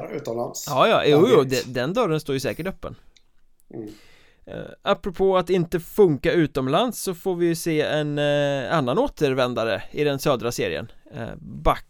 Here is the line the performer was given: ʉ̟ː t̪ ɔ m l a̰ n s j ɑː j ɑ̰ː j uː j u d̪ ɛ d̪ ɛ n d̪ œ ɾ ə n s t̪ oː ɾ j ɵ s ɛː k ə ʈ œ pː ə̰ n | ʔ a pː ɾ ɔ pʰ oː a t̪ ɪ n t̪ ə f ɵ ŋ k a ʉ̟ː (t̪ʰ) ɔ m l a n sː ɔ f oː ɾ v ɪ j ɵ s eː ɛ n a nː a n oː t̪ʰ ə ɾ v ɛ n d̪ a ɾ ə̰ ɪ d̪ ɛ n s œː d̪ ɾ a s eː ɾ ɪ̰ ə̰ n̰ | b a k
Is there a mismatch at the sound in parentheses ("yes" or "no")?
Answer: yes